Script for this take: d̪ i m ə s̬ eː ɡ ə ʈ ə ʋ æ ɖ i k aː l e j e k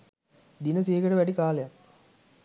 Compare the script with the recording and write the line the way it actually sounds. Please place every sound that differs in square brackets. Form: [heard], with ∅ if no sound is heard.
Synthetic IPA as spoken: d̪ i [n] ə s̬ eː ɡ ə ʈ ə ʋ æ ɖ i k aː l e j [a] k